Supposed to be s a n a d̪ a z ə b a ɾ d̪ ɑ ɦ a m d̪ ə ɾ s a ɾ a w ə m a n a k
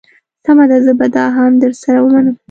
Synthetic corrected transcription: s a m a d̪ a z ə b a d̪ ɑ ɦ a m d̪ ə ɾ s a ɾ a w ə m a n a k

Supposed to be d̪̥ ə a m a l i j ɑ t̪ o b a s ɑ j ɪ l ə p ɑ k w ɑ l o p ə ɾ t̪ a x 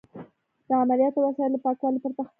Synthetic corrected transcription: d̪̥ ə a m a l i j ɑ t̪ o w a s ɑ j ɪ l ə p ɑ k w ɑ l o p ə ɾ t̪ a x

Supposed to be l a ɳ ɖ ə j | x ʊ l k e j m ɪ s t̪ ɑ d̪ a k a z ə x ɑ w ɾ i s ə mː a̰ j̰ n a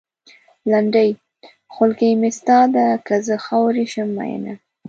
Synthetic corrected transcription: l a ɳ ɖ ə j | x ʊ l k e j m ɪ s t̪ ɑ d̪ a k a z ə x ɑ w ɾ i ʃ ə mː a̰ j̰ n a

